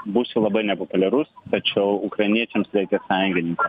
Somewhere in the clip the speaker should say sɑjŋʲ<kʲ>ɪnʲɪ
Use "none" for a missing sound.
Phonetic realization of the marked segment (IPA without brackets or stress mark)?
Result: ɡʲ